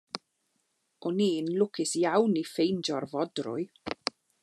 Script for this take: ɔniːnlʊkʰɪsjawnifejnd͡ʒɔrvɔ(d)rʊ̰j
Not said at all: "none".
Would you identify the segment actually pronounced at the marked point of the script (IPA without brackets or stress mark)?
d